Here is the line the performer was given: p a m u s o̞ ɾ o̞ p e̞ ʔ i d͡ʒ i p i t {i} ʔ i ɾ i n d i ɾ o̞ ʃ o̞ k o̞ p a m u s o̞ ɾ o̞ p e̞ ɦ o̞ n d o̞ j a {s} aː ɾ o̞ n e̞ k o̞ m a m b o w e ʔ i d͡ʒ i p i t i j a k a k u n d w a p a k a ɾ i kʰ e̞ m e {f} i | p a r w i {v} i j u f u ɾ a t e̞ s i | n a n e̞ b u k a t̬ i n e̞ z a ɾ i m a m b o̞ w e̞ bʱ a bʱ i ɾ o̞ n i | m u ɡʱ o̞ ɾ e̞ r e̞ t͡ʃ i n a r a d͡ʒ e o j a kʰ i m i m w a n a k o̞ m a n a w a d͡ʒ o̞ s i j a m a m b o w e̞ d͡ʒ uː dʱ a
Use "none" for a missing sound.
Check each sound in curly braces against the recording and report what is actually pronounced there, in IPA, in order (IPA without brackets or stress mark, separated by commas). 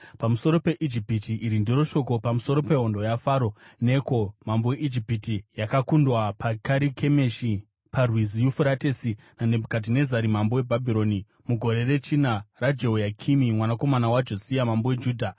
i, f, ʃ, z